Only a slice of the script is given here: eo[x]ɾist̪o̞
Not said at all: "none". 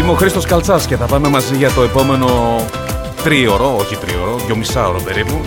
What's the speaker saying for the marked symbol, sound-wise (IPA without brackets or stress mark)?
x